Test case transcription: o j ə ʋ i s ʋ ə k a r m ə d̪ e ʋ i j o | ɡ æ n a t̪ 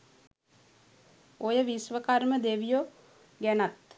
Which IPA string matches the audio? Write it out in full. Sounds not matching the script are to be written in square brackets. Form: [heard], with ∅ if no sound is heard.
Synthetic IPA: o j ə ʋ i s ʋ ə k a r m ə d̪ e ʋ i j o | ɡ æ n a t̪

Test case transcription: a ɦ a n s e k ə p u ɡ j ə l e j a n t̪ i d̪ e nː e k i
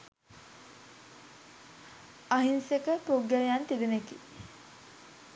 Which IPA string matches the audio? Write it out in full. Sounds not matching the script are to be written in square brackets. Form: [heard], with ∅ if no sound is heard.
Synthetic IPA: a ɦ [i] n s e k ə p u ɡ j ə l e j a n t̪ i d̪ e [n] e k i

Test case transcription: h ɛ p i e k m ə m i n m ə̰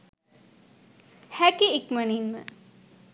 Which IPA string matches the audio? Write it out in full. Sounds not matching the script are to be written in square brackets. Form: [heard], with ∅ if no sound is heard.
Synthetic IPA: h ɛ [k] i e k m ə [n] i n m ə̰

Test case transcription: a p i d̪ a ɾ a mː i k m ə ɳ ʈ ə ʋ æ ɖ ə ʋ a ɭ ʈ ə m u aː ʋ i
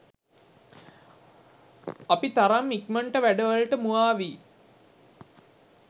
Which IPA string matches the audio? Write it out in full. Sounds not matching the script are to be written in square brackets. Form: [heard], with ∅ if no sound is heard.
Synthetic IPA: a p i [t̪] a ɾ a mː i k m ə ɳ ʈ ə ʋ æ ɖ ə ʋ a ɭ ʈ ə m u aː ʋ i

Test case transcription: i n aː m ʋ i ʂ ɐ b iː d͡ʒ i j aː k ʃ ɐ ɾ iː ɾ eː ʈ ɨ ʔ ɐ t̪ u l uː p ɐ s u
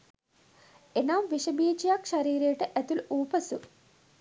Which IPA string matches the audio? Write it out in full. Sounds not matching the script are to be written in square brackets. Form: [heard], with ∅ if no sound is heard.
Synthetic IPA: [e] n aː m ʋ i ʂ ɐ b iː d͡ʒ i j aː k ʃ ɐ ɾ iː ɾ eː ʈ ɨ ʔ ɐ t̪ u l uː p ɐ s u

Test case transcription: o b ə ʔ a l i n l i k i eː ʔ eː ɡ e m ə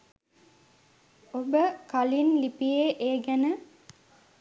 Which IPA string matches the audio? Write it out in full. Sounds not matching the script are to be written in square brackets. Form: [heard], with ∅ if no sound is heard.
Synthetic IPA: o b ə [k] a l i n l i [p] i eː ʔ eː ɡ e [n] ə

